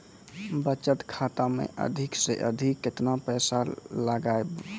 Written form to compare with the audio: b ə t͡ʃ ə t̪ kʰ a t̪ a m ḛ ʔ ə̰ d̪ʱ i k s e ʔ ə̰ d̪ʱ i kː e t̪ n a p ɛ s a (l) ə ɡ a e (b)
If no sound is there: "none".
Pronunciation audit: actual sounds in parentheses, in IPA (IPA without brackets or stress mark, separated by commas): l, b